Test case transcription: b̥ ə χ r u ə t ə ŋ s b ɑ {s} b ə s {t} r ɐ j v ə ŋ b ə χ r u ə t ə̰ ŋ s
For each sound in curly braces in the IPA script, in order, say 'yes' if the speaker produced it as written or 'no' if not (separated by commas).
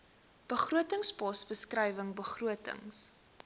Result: yes, no